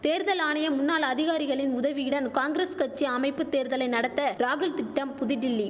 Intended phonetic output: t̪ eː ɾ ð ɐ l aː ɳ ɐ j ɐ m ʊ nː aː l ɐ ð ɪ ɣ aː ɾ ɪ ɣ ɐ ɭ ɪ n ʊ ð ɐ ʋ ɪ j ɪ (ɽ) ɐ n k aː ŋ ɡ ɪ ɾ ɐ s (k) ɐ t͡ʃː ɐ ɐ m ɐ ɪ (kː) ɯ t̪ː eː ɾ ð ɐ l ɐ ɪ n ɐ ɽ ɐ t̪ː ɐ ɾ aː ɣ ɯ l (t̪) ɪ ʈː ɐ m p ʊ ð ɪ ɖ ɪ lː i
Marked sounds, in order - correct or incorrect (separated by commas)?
correct, correct, incorrect, correct